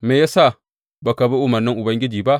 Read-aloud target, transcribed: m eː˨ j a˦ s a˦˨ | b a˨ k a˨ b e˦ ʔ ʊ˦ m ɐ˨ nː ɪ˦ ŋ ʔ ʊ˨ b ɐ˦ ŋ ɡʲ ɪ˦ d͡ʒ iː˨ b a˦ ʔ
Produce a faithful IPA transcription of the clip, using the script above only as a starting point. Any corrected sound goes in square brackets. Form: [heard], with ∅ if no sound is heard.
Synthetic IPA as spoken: m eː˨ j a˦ s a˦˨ | b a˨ k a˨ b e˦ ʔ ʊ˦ m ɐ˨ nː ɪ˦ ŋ ʔ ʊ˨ b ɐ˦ ŋ ɡʲ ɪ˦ d͡ʒ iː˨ b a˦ ʔ